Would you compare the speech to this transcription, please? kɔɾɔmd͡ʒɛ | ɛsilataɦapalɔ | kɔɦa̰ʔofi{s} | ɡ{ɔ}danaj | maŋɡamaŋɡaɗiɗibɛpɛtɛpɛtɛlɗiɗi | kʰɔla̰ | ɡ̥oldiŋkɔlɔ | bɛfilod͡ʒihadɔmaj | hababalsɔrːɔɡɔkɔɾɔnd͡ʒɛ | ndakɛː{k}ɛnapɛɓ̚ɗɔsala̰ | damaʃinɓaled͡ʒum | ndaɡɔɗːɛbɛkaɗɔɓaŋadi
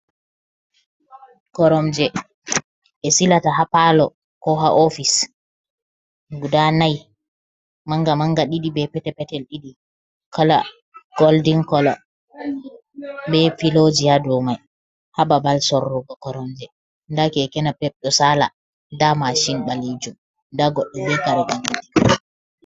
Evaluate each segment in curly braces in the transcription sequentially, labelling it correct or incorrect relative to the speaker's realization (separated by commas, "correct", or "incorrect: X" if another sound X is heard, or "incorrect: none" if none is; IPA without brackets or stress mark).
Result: correct, incorrect: u, correct